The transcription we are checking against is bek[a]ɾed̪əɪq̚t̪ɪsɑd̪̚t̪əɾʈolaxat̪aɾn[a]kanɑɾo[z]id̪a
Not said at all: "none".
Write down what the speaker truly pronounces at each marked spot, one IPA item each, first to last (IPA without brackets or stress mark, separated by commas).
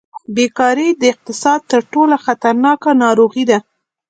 ɑ, ɑ, ɣ